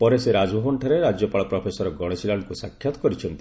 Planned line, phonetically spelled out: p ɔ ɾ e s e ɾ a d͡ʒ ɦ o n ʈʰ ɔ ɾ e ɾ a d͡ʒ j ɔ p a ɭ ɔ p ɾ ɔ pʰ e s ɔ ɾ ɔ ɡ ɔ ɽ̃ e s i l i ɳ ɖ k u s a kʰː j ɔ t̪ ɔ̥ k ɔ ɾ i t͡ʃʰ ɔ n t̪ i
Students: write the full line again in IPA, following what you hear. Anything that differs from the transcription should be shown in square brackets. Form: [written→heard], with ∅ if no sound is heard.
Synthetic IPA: p ɔ ɾ e s e ɾ a d͡ʒ ɦ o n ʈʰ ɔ ɾ e ɾ a d͡ʒ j ɔ p a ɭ ɔ p ɾ ɔ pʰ e s ɔ ɾ ɔ ɡ ɔ ɽ̃ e s i l [i→a] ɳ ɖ k u s a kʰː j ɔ t̪ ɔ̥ k ɔ ɾ i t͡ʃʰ ɔ n t̪ i